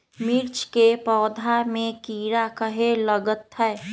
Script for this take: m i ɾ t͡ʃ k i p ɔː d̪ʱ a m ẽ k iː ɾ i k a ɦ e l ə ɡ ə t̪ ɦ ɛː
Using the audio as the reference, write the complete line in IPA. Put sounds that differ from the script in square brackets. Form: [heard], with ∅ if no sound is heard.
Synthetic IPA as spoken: m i ɾ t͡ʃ k [e] p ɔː d̪ʱ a m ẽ k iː ɾ [a] k [ə] ɦ e l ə ɡ ə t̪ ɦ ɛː